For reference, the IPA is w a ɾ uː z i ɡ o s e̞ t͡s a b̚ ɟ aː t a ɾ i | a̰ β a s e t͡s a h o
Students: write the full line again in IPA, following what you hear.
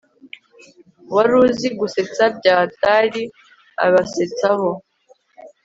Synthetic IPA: w a ɾ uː z i ɡ u s e̞ t͡s a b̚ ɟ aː t a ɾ i | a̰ β a s e t͡s a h o